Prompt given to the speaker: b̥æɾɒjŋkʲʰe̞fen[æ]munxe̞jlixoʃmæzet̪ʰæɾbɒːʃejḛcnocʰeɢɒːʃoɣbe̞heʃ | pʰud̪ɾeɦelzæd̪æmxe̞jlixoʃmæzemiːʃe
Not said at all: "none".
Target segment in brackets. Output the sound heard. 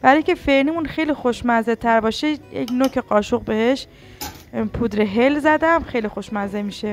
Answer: i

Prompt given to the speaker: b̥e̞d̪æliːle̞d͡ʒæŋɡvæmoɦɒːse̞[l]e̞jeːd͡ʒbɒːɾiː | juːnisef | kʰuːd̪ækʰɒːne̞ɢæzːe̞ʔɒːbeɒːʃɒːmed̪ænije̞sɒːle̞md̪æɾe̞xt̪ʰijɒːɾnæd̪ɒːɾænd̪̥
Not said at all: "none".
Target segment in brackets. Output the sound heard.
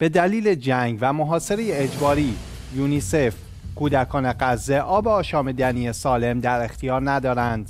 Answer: ɾ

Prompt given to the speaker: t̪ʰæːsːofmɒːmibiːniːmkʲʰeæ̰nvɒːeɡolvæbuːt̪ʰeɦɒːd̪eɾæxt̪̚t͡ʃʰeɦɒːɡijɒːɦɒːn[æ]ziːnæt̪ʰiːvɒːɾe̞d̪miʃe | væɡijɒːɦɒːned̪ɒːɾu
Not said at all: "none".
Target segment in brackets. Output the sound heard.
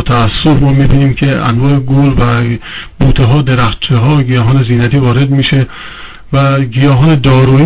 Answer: e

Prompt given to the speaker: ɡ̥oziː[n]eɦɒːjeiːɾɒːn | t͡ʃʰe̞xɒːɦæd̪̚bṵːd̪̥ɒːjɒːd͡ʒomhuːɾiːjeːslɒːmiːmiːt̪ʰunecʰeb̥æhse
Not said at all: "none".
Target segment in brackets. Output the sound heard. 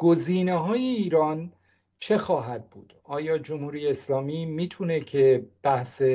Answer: n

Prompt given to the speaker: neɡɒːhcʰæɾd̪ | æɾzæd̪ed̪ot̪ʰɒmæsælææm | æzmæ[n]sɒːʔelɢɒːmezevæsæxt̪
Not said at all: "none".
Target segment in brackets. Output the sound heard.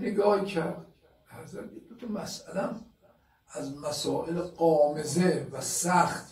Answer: none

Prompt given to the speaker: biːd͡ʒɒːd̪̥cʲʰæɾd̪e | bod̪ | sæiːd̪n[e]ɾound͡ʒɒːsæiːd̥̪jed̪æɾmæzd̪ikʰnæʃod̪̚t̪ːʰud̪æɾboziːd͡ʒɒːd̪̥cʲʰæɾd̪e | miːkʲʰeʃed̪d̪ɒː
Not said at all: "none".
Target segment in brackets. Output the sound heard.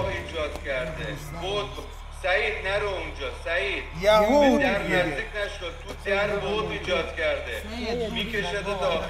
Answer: æ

